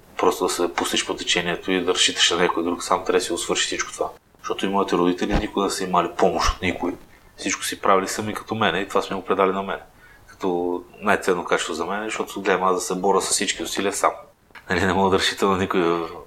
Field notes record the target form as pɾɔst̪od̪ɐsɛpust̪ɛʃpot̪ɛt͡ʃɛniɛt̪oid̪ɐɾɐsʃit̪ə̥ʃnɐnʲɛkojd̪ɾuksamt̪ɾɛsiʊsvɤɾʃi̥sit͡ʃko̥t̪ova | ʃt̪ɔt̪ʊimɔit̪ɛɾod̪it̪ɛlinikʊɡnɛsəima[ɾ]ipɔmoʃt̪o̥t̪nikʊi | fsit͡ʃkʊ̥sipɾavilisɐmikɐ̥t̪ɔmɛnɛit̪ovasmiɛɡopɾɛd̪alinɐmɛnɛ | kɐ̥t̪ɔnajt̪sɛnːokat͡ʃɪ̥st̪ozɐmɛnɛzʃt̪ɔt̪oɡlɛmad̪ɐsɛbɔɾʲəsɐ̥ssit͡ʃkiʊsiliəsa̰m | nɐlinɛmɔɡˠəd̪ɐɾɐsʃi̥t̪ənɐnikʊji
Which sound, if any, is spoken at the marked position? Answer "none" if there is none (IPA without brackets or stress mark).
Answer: l